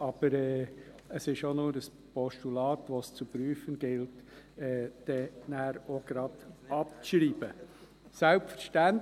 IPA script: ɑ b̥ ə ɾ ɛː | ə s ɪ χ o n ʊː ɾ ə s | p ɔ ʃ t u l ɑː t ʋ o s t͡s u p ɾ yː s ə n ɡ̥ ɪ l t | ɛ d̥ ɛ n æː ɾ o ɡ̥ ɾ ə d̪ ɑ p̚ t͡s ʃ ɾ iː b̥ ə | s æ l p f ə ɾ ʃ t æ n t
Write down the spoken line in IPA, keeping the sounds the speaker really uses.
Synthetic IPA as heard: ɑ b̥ ə ɾ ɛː | ə s ɪ ʃ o n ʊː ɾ ə s | p ɔ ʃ t u l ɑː t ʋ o s t͡s u p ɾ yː f ə n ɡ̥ ɪ l t | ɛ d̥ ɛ n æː ɾ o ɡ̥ ɾ ɑ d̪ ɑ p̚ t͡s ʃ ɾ iː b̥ ə | s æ l p f ə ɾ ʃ t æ n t